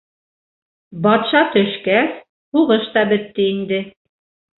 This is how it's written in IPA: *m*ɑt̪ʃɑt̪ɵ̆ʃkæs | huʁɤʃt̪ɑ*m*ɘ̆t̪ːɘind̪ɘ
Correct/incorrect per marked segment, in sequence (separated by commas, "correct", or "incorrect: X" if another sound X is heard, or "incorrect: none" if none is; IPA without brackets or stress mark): incorrect: b, incorrect: b